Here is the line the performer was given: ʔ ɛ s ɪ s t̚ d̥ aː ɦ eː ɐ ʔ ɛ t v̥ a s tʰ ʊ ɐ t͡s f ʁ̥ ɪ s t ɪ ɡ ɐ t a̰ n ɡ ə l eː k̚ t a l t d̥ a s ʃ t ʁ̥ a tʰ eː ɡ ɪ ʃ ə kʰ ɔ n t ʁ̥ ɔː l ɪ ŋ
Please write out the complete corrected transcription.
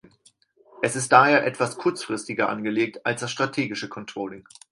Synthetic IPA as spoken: ʔ ɛ s ɪ s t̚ d̥ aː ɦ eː ɐ ʔ ɛ t v̥ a s kʰ ʊ ɐ t͡s f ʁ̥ ɪ s t ɪ ɡ ɐ ʔ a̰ n ɡ ə l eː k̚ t a l s d̥ a s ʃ t ʁ̥ a tʰ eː ɡ ɪ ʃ ə kʰ ɔ n t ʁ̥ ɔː l ɪ ŋ